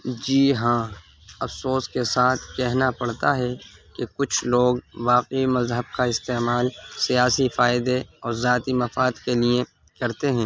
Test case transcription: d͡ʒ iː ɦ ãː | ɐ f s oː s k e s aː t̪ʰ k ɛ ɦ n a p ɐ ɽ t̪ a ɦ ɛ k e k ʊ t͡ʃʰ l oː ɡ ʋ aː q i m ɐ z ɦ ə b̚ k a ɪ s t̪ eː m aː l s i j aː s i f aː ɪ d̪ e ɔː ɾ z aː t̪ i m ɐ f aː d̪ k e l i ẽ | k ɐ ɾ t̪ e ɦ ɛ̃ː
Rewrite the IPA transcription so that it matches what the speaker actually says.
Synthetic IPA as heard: d͡ʒ iː ɦ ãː | ɐ f s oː s k e s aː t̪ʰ k ɛ ɦ n a p ɐ ɽ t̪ a ɦ ɛ k e k ʊ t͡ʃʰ l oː ɡ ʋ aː q i m ɐ z ɦ ə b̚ k a ɪ s t̪ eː m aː l s i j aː s i f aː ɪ d̪ e ɔː ɾ z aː t̪ i m ɐ f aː d̪ k e l i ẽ | k ɐ ɾ t̪ e ɦ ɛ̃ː